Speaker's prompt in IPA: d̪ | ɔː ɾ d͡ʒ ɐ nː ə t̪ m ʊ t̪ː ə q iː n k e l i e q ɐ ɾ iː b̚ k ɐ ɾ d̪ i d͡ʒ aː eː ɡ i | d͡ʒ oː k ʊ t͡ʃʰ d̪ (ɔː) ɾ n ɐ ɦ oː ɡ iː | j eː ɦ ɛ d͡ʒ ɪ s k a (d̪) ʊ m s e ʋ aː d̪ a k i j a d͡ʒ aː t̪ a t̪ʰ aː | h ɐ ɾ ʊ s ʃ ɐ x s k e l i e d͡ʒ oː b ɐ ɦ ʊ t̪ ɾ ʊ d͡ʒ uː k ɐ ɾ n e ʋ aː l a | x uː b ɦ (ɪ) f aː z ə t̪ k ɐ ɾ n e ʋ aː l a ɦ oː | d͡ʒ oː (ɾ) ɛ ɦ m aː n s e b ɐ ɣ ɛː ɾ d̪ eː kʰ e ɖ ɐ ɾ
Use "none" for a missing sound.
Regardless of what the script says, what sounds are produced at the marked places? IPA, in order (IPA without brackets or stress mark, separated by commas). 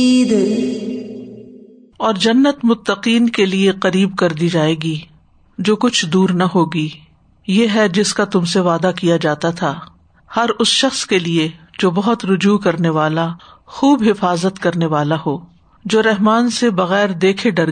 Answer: uː, t̪, ɪ, ɾ